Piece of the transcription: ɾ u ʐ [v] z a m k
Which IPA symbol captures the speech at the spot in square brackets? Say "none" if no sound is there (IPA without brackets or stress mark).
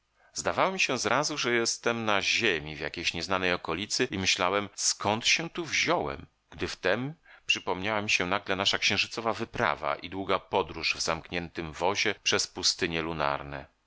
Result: v